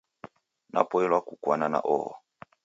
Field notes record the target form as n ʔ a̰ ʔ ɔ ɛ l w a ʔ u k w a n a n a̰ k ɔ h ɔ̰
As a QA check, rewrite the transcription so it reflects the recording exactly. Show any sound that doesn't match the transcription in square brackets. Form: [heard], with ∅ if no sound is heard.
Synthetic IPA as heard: n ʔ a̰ [p] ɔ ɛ l w a [k] u k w a n a n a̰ [ʔ] ɔ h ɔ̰